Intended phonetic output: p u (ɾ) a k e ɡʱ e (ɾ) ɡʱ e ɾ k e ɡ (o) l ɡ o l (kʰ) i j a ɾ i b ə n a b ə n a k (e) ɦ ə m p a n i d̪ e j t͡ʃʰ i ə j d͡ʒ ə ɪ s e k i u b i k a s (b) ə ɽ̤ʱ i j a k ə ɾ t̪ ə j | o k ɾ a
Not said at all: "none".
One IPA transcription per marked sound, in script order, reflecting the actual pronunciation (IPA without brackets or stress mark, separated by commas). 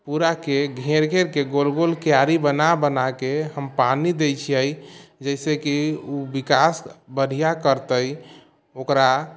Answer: ɾ, ɾ, o, k, e, b